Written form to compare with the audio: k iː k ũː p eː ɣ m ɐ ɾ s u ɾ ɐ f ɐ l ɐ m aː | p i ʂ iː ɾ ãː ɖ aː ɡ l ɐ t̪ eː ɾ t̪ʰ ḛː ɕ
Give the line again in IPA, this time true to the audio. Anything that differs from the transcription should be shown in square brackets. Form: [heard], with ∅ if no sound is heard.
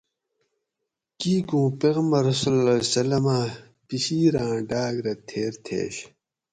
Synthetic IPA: k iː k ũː p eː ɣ m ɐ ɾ s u [l] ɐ [s] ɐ l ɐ m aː | p i [ɕ] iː ɾ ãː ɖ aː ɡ [ɾ] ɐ [t̪ʰ] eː ɾ t̪ʰ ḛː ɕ

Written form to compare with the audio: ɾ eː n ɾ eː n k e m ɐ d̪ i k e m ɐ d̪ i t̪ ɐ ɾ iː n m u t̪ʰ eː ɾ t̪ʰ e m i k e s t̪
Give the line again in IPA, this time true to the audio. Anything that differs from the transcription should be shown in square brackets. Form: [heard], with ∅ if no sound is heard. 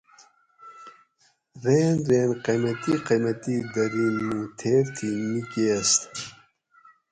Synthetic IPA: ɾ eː n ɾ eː n [q] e m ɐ [t̪] i [q] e m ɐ [t̪] i [d̪] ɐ ɾ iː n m u t̪ʰ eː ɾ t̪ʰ [i] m i k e s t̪

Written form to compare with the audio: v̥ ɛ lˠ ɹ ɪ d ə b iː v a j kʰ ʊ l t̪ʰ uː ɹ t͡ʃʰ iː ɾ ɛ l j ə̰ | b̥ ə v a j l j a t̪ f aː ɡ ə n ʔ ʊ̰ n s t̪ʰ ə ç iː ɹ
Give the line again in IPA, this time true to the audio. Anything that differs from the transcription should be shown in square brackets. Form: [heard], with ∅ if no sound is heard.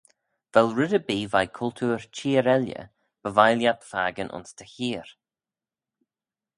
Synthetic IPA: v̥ ɛ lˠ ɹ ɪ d ə b iː v a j kʰ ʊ l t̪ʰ uː ɹ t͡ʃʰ iː ɾ ɛ l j ə̰ | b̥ ə v a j l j a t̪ f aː ɡ ə n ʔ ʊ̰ n s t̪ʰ ə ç iː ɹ

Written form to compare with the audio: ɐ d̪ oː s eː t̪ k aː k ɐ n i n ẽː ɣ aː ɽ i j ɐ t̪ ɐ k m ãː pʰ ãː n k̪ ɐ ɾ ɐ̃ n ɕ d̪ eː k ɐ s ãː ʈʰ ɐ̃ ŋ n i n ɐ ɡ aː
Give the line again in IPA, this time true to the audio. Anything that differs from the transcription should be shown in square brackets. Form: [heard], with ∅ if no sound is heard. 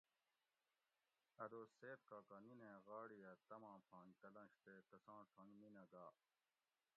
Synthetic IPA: ɐ d̪ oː s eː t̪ k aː k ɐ n i n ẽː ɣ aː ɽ i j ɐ t̪ ɐ [∅] m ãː pʰ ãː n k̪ ɐ [l] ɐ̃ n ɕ [t̪] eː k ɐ s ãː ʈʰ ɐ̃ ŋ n i n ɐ ɡ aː

